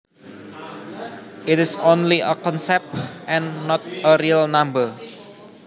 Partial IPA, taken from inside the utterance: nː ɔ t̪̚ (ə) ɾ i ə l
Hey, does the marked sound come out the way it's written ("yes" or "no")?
yes